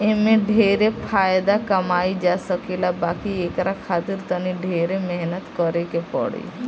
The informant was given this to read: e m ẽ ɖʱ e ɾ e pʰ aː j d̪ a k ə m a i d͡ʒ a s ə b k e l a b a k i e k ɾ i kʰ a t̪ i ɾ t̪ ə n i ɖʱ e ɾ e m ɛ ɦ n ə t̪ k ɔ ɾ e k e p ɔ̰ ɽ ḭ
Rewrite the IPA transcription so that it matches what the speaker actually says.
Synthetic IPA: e m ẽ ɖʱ e ɾ e pʰ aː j d̪ a k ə m a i d͡ʒ a s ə k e l a b a k i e k ɾ a kʰ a t̪ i ɾ t̪ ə n i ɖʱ e ɾ e m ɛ ɦ n ə t̪ k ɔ ɾ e k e p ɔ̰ ɽ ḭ